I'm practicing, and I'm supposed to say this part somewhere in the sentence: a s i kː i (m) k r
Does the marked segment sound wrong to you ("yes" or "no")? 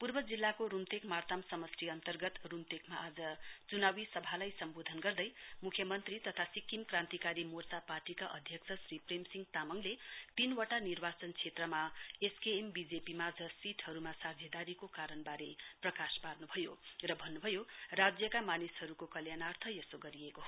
no